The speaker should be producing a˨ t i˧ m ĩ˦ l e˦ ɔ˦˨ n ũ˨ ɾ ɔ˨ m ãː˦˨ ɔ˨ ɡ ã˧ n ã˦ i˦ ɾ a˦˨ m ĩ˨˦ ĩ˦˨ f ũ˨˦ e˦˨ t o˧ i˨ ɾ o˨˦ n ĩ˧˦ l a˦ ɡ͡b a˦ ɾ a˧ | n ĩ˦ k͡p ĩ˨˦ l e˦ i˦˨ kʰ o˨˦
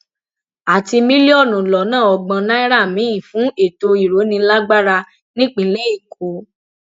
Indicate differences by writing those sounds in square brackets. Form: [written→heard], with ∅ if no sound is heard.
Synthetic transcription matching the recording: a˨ t i˧ m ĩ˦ l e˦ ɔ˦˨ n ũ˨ [ɾ→l] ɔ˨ [m→n] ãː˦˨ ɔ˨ [ɡ→ɡ͡b] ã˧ n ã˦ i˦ ɾ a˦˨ m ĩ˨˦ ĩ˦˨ f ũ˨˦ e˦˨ t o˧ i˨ ɾ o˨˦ n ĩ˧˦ l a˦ ɡ͡b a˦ ɾ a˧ | n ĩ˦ k͡p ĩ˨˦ l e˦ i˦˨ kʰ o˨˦